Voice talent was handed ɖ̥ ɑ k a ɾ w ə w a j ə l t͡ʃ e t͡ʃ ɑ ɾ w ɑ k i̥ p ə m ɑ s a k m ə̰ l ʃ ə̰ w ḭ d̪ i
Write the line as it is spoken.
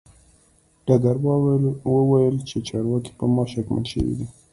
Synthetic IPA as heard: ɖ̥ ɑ ɡ a ɾ w ə w a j ə l t͡ʃ e t͡ʃ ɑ ɾ w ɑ k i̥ p ə m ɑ ʃ a k m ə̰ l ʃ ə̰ w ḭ d̪ i